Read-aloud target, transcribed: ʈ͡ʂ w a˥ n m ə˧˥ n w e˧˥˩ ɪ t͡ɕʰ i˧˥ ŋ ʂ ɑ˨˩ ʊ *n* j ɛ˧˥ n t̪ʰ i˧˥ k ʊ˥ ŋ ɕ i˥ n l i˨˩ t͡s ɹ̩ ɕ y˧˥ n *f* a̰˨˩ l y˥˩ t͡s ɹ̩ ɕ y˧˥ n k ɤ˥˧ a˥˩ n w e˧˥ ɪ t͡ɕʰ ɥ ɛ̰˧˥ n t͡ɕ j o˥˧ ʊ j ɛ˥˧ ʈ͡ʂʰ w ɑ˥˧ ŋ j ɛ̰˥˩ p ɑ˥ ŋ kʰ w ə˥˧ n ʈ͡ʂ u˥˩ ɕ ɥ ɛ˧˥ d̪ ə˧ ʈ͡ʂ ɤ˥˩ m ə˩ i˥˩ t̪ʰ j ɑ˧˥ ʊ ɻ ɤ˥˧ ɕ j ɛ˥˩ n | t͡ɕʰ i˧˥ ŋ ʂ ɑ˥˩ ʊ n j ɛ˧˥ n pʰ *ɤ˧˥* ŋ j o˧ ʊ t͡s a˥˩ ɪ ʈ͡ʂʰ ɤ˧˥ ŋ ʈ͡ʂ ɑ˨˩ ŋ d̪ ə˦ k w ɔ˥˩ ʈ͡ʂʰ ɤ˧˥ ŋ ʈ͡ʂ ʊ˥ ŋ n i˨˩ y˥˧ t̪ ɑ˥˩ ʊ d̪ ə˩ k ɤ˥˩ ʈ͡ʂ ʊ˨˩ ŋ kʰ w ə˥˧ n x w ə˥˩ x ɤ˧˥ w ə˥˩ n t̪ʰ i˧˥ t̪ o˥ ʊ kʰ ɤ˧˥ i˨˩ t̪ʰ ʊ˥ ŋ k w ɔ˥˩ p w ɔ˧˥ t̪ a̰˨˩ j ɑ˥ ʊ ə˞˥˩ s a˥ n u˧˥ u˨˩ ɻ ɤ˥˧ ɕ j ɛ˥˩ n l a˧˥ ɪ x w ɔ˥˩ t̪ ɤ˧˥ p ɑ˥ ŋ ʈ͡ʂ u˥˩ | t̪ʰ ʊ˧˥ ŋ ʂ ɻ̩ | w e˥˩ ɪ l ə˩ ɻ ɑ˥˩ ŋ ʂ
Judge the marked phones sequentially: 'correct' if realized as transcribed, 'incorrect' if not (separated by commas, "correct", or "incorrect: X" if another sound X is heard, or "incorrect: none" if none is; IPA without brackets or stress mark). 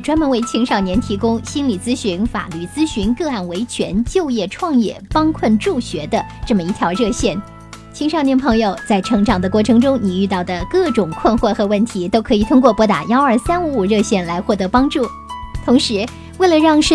correct, correct, correct